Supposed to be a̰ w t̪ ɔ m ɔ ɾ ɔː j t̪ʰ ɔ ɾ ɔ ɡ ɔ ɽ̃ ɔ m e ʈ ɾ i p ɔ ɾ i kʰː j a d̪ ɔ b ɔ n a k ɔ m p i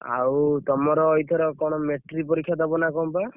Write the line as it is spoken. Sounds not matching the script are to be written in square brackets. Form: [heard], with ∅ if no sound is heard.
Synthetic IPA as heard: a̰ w t̪ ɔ m ɔ ɾ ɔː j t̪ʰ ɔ ɾ ɔ [k] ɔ ɽ̃ ɔ m e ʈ ɾ i p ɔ ɾ i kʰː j a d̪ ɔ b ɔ n a k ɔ m p [a]